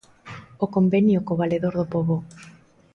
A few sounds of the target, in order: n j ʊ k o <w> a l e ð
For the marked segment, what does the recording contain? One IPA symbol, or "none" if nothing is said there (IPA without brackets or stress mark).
β